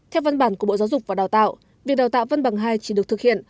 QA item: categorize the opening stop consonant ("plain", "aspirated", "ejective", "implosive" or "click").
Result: aspirated